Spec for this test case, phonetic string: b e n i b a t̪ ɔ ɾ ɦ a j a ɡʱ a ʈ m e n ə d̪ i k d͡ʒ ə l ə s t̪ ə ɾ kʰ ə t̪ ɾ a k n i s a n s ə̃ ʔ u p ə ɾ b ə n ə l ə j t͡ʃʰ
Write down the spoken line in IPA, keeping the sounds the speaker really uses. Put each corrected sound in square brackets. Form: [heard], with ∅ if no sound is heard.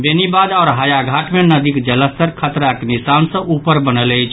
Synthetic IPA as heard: b e n i b a [d̪] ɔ ɾ ɦ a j a ɡʱ a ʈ m e n ə d̪ i k d͡ʒ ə l ə s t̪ ə ɾ kʰ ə t̪ ɾ a k n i s a n s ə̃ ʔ u p ə ɾ b ə n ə l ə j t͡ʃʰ